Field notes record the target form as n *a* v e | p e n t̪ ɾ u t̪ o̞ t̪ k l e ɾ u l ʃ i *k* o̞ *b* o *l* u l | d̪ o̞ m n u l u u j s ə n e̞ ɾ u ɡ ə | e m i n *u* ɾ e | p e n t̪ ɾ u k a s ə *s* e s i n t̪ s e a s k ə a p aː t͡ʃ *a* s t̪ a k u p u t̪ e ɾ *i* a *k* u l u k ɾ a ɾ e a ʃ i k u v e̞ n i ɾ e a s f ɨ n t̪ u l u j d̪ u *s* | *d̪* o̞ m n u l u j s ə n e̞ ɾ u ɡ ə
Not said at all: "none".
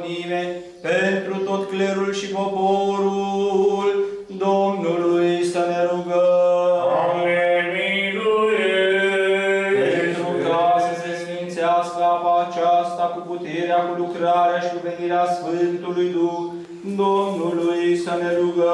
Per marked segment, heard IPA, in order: i, p, p, ɾ, u, s, a, e, k, x, d̪

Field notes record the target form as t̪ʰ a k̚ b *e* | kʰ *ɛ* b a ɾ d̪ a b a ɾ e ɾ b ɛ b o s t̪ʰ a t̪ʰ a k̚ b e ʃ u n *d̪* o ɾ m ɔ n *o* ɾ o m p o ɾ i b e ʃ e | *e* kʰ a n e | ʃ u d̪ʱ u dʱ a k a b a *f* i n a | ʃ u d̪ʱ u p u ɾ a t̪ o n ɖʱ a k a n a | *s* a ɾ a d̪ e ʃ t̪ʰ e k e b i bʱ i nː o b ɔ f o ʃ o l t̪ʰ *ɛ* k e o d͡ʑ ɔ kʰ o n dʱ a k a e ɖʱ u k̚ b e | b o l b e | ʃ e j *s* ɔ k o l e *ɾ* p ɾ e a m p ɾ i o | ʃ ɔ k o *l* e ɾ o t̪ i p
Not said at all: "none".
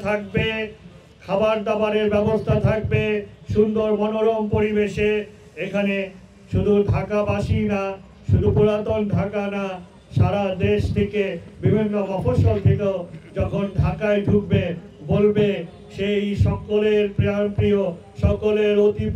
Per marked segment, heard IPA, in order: e, a, d̪, o, e, ʃ, ʃ, e, ʃ, ɾ, l

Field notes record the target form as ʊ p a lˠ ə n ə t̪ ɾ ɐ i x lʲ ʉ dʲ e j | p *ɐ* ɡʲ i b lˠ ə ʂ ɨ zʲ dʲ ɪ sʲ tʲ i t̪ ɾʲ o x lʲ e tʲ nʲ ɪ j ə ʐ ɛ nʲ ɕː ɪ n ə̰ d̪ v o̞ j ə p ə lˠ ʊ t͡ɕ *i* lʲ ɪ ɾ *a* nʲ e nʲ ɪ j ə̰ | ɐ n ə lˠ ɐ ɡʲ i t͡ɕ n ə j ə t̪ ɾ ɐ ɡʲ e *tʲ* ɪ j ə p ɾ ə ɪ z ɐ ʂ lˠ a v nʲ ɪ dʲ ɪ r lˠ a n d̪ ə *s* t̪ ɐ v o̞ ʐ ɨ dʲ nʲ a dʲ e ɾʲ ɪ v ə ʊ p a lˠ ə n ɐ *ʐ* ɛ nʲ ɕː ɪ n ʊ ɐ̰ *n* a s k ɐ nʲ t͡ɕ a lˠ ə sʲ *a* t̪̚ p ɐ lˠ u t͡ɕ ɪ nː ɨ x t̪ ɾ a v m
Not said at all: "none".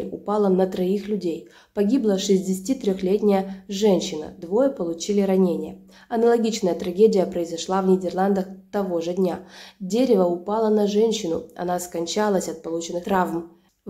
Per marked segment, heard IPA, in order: ɐ, i, ɐ, dʲ, x, ʐ, n, ɐ

